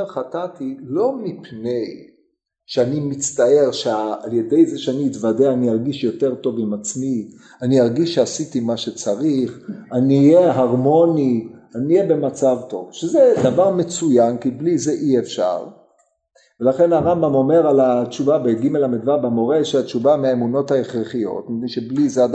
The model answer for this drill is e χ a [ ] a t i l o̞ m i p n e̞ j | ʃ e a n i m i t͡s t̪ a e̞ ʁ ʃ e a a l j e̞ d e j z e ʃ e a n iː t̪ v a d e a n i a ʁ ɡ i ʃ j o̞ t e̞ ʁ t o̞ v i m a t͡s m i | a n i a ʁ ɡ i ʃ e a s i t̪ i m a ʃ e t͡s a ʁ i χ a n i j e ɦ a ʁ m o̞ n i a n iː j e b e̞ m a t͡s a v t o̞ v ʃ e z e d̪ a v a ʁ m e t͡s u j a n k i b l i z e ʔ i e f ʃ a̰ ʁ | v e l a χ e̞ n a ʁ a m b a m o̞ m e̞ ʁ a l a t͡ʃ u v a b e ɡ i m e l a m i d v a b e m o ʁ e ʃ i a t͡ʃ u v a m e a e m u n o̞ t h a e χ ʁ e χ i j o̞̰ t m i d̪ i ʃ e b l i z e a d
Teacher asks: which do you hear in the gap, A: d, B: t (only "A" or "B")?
B